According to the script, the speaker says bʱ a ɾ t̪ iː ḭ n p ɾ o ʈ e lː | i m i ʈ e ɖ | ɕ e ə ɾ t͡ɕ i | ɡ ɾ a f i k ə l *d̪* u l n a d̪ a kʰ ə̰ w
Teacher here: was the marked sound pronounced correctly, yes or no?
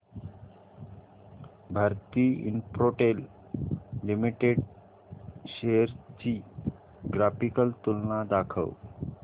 no